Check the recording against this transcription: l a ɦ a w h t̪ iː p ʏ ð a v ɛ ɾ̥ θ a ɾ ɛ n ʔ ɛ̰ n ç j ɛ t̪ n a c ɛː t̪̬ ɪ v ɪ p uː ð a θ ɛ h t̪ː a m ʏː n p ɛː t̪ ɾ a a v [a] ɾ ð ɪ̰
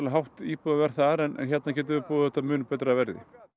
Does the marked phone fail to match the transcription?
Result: yes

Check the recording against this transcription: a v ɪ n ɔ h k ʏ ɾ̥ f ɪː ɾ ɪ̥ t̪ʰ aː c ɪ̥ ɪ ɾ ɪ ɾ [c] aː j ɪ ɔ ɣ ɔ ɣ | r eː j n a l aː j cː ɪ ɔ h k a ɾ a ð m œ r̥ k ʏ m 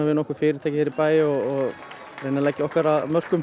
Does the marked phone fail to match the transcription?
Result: yes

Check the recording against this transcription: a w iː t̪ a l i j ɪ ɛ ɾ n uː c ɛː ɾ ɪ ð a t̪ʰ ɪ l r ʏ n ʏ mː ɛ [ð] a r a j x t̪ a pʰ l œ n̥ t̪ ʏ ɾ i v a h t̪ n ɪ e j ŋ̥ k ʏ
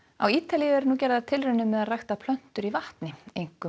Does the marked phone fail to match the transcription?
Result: no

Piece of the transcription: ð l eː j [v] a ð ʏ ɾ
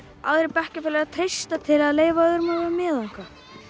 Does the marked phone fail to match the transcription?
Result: no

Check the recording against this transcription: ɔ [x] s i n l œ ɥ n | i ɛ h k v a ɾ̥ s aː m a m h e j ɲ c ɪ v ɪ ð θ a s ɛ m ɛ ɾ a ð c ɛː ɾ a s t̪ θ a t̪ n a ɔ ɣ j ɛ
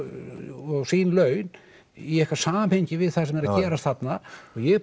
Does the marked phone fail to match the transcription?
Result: yes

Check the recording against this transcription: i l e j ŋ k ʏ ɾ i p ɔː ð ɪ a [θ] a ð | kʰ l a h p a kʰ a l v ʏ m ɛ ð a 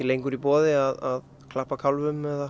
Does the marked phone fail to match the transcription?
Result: yes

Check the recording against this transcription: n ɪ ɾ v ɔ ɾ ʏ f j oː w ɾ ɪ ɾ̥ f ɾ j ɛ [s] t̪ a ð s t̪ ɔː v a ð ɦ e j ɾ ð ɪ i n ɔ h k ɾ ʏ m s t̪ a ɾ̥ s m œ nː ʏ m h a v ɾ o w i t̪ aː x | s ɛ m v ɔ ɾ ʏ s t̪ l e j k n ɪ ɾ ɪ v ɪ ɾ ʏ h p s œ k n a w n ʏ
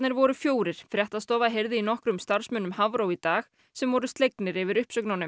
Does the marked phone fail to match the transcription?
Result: yes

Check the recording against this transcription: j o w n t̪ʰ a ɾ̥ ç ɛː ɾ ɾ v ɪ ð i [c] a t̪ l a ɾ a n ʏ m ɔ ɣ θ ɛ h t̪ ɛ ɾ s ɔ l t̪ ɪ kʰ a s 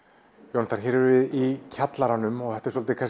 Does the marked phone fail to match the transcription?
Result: yes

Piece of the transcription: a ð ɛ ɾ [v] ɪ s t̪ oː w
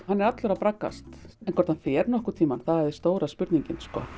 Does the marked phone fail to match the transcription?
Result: yes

